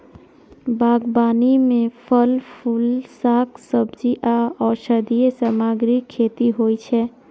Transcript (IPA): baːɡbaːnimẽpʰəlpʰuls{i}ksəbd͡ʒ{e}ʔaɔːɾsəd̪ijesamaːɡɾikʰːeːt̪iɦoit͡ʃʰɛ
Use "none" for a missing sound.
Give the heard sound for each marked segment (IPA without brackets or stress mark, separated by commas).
a, i